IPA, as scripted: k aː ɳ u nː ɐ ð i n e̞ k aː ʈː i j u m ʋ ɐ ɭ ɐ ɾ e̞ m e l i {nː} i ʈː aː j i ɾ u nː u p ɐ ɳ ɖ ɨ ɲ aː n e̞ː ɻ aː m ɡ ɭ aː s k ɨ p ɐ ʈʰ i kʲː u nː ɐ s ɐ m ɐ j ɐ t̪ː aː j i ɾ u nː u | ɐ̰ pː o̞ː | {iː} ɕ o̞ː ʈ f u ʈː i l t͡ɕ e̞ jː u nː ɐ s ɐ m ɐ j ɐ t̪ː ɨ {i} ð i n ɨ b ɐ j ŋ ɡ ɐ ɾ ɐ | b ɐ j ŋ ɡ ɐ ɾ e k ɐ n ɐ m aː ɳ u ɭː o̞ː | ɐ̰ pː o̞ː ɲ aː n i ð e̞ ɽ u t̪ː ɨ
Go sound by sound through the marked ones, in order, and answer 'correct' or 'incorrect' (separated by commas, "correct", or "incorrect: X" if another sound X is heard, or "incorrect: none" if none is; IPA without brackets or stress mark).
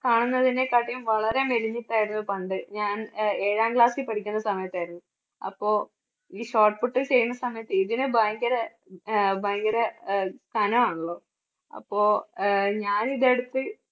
incorrect: ɲː, correct, correct